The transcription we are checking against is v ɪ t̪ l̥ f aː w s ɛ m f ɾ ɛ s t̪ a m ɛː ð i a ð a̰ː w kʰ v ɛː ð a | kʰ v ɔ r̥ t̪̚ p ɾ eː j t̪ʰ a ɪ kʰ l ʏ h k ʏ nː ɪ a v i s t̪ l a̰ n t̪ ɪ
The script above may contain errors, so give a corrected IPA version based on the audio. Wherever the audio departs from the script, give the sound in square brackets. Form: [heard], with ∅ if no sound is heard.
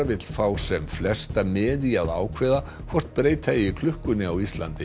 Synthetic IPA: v ɪ t̪ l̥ f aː w s ɛ m f [l] ɛ s t̪ a m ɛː ð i a ð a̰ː w kʰ v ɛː ð a | kʰ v ɔ r̥ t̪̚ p ɾ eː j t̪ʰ a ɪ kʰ l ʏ h k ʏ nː ɪ a [w] i s t̪ l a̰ n t̪ ɪ